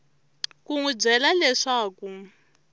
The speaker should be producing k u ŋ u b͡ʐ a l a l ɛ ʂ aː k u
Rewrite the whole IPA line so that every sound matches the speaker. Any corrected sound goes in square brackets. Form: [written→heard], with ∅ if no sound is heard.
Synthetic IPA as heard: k u ŋ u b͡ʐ [a→ɛ] l a l ɛ ʂ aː k u